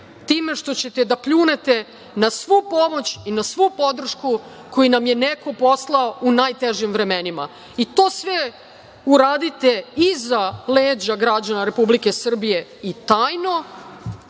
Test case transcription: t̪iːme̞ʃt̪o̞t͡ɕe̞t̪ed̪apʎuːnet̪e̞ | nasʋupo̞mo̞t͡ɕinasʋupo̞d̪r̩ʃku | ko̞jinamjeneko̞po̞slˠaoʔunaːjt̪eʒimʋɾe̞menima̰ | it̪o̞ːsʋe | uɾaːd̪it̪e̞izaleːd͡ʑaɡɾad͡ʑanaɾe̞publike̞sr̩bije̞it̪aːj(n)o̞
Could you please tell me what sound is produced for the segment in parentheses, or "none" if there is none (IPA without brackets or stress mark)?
n